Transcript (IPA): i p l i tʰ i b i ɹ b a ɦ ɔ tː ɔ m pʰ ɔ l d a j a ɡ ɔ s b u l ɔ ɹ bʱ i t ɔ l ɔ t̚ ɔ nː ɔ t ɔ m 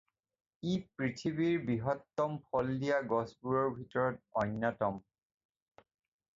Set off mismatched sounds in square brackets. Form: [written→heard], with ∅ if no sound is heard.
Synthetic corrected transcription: i p [l→ɹ] i tʰ i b i ɹ b [a→i] ɦ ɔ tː ɔ m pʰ ɔ l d [a→i] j a ɡ ɔ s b u [l→ɹ] ɔ ɹ bʱ i t ɔ [l→ɹ] ɔ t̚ ɔ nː ɔ t ɔ m